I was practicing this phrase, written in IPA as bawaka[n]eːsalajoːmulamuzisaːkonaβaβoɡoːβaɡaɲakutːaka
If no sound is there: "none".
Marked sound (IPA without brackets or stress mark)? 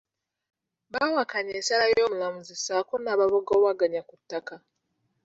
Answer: ɲ